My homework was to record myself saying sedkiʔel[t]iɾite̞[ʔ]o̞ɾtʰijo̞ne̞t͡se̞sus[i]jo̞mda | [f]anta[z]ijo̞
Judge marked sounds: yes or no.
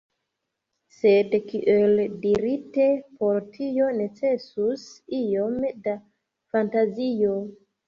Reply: no, no, yes, yes, yes

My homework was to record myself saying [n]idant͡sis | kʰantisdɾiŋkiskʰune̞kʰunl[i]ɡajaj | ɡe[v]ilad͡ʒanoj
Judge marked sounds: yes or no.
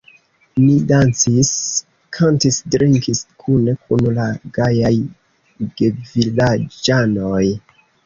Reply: yes, no, yes

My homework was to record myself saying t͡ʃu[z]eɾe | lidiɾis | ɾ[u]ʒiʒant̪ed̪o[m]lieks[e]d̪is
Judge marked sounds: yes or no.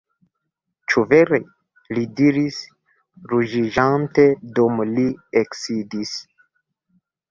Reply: no, yes, yes, no

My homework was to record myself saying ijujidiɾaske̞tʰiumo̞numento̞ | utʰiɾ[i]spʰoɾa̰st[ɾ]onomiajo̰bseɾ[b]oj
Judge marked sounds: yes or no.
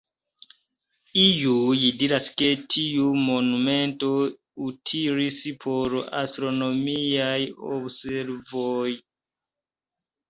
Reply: yes, yes, no

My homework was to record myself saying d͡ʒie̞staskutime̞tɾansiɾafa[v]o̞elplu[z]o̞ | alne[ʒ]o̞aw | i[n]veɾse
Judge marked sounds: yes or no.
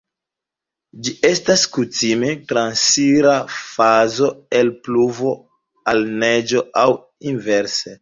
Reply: no, no, no, yes

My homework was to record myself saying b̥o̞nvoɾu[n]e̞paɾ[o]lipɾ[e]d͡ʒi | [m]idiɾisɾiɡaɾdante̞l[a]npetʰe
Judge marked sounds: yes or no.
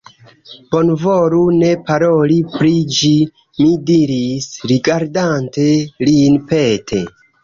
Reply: yes, yes, no, yes, no

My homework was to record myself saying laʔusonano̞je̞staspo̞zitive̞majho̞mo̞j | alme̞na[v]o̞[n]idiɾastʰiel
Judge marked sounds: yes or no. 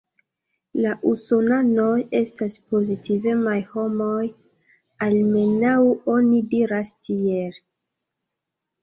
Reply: no, yes

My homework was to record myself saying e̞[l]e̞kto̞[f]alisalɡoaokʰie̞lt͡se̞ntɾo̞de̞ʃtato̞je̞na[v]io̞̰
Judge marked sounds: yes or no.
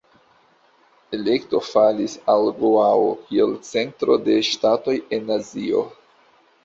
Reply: yes, yes, no

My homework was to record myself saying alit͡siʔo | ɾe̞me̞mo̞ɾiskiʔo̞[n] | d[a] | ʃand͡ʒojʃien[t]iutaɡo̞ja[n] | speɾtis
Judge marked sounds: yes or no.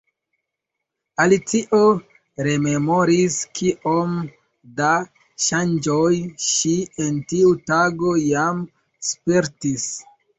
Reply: no, yes, yes, no

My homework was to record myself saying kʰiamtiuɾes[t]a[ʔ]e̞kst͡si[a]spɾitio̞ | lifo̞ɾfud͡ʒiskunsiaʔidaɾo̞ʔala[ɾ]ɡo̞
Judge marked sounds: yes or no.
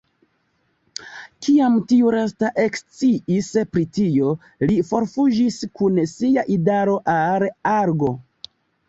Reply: yes, yes, no, yes

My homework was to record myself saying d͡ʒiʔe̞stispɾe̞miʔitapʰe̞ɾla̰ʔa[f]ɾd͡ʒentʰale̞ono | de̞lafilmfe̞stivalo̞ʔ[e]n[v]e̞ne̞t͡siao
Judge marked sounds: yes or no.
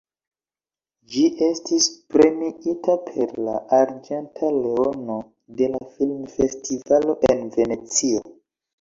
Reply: no, yes, yes

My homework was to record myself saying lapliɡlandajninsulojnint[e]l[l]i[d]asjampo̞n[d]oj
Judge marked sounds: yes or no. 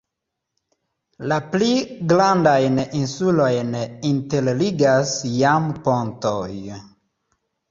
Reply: yes, yes, no, no

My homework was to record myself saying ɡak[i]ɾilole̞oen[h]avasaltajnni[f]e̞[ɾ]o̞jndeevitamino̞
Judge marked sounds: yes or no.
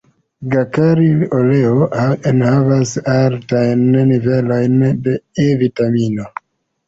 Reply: no, yes, no, no

